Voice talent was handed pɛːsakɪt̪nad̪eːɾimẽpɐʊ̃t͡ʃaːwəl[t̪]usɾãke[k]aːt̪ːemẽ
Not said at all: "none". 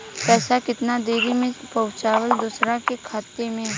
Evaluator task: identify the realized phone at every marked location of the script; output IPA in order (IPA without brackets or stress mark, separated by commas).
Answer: d̪, kʰ